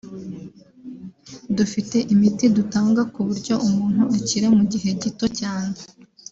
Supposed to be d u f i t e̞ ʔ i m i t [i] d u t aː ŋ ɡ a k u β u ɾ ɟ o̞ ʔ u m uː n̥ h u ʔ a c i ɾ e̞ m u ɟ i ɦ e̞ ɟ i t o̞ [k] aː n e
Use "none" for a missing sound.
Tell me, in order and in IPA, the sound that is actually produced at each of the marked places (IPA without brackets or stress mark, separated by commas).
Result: i, c